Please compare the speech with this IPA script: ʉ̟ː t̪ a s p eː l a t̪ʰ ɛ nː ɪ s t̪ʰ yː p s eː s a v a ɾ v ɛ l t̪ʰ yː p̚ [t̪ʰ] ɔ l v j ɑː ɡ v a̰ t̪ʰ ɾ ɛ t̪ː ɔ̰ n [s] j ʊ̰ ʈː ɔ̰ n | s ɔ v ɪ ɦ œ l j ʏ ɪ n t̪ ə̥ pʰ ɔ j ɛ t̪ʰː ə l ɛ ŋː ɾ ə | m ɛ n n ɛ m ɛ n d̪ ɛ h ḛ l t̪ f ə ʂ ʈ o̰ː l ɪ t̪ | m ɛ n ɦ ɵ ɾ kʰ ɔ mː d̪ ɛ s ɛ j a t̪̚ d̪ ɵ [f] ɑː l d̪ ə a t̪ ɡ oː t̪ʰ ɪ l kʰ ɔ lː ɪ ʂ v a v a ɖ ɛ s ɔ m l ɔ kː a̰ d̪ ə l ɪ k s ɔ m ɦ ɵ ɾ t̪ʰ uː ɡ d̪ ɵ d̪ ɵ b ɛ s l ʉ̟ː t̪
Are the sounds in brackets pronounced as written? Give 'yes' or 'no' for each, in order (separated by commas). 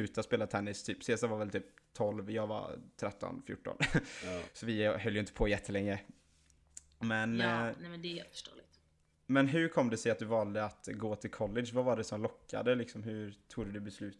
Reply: yes, no, no